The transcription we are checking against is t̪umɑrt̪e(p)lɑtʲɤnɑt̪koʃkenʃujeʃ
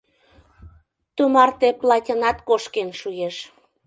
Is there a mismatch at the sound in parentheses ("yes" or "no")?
no